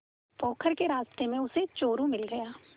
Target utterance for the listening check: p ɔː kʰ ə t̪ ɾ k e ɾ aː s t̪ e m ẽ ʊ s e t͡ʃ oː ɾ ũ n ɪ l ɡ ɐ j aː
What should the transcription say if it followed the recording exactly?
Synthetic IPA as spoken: p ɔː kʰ ə ɾ k e ɾ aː s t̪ e m ẽ ʊ s e t͡ʃ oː ɾ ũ m ɪ l ɡ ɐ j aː